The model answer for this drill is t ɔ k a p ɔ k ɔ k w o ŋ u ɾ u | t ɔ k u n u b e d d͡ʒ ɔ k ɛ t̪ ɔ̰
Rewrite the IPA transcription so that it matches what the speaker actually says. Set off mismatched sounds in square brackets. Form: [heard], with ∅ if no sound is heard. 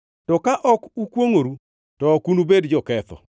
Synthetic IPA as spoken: t ɔ k a [ʔ] ɔ k [u] k w o ŋ [o] ɾ u | t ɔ k u n u b e d d͡ʒ ɔ k ɛ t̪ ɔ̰